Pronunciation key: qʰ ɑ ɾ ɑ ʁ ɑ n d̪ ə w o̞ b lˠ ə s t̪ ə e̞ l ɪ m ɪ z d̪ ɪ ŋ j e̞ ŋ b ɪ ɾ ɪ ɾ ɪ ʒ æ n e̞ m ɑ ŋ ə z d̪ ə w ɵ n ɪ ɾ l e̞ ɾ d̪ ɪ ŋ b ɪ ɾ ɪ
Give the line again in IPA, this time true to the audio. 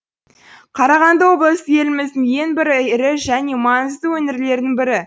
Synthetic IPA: qʰ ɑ ɾ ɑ ʁ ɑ n d̪ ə w o̞ b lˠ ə s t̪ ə e̞ l ɪ m ɪ z d̪ ɪ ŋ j e̞ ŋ b ɪ ɾ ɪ ɾ ɪ ʒ æ n e̞ m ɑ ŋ ə z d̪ ə w ɵ n ɪ ɾ l e̞ ɾ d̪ ɪ ŋ b ɪ ɾ ɪ

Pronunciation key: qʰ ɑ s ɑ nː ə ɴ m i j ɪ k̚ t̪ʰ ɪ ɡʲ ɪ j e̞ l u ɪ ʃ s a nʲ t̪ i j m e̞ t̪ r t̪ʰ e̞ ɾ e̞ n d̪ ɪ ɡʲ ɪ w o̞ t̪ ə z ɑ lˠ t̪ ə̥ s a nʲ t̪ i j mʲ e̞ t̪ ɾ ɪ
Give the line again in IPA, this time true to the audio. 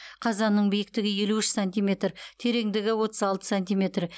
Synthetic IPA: qʰ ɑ z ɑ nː ə ɴ b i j ɪ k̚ t̪ ɪ ɡʲ ɪ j e̞ l u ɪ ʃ s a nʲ t̪ i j m e̞ t̪ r t̪ʰ e̞ ɾ e̞ ŋ d̪ ɪ ɡʲ ɪ w o̞ t̪ ə z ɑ lˠ t̪ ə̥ s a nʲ t̪ i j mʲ e̞ t̪ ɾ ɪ

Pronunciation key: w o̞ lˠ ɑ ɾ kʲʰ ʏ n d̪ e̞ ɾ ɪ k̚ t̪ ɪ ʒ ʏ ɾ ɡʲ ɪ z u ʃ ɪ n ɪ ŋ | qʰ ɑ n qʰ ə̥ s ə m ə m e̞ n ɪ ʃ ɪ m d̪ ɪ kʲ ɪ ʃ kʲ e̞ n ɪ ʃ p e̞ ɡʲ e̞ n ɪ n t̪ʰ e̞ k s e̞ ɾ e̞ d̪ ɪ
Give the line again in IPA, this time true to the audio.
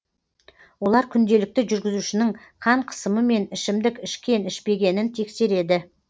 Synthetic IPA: w o̞ lˠ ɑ ɾ kʲʰ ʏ n d̪ e̞ l ɪ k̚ t̪ ɪ ʒ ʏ ɾ ɡʲ ɪ z u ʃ ɪ n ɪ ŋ | qʰ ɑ ɴ qʰ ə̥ s ə m ə m e̞ n ɪ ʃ ɪ m d̪ ɪ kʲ ɪ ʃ kʲ e̞ n ɪ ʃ p e̞ ɡʲ e̞ n ɪ n t̪ʰ e̞ k s e̞ ɾ e̞ d̪ ɪ

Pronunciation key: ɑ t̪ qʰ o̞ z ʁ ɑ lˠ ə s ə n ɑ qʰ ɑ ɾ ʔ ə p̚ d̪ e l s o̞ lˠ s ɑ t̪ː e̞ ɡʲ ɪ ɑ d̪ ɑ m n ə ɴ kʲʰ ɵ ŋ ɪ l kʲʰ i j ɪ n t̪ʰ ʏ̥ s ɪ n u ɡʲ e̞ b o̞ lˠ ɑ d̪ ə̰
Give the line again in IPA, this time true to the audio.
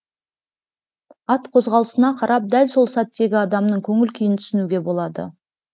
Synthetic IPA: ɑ t̪ qʰ o̞ z ʁ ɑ lˠ ə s ə n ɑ qʰ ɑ ɾ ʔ ɑ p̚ d̪ æ l s o̞ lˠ s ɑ t̪ː e̞ ɡʲ ɪ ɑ d̪ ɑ m n ə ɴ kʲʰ ɵ ŋ ɪ l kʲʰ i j ɪ n t̪ʰ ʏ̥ s ɪ n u ɡʲ e̞ b o̞ lˠ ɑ d̪ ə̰

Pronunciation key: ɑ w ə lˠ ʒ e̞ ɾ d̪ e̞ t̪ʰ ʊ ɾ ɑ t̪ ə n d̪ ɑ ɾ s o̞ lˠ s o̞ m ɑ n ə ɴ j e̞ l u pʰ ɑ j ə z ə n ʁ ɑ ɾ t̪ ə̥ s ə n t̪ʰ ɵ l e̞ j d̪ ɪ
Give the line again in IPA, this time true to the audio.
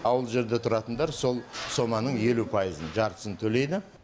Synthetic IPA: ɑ w ə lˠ ʒ e̞ ɾ d̪ e̞ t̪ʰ ʊ ɾ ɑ t̪ ə n d̪ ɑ ɾ s o̞ lˠ s o̞ m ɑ n ə ɴ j e̞ l u pʰ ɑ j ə z ə n ʒ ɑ ɾ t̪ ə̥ s ə n t̪ʰ ɵ l e̞ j d̪ ɪ

